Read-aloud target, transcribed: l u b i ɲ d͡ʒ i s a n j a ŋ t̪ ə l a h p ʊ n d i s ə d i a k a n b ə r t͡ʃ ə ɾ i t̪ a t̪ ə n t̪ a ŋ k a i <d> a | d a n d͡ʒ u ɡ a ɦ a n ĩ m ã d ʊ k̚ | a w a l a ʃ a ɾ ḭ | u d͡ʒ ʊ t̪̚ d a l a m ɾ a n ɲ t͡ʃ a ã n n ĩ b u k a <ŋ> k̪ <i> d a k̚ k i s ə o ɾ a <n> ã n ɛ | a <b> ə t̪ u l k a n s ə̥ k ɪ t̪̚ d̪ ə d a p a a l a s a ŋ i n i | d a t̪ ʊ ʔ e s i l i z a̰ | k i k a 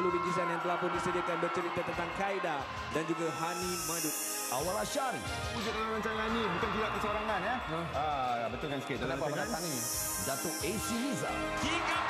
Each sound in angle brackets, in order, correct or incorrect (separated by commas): correct, incorrect, correct, incorrect, correct